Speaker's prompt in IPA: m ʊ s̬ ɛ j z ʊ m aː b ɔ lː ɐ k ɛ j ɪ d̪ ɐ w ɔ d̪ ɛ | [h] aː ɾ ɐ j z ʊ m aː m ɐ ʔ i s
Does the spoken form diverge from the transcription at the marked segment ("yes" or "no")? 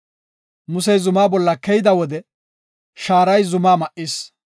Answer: yes